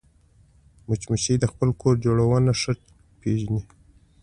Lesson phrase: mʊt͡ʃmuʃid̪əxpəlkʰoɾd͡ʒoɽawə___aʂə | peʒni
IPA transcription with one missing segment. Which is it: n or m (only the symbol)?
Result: n